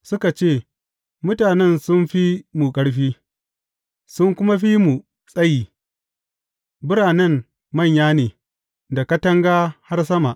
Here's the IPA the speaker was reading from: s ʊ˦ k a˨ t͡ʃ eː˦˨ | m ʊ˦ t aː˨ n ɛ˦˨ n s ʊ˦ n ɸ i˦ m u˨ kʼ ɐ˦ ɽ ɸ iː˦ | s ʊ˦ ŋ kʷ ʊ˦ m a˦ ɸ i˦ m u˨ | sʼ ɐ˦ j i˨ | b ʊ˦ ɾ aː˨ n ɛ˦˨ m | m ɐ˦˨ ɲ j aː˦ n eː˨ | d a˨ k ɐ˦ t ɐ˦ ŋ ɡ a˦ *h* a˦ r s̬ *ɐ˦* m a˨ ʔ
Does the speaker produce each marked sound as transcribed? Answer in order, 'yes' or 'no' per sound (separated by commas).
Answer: yes, yes